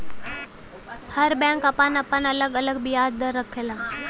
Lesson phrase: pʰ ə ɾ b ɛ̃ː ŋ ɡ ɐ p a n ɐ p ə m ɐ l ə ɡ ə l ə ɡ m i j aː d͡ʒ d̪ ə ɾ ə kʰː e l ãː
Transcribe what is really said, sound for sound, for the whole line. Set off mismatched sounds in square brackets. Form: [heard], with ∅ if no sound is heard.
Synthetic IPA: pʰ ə ɾ b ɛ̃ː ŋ [k] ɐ p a n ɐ p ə [n] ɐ l ə ɡ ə l ə ɡ [b] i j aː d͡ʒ d̪ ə ɾ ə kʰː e l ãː